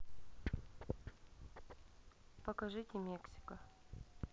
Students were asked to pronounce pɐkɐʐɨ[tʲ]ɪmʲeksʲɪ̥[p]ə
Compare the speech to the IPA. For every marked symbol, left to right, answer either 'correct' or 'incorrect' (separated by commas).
correct, incorrect